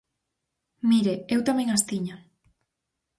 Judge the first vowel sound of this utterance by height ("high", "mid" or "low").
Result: high